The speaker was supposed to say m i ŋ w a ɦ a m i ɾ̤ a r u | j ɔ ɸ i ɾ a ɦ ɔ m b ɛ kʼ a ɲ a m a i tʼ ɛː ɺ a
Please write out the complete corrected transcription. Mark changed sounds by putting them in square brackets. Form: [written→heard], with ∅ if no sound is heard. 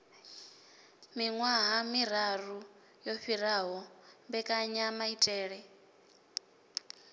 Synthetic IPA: m i ŋ w a ɦ a m i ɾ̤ a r u | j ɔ ɸ i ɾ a ɦ ɔ m b ɛ kʼ a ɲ a m a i tʼ ɛː ɺ [a→ɛ]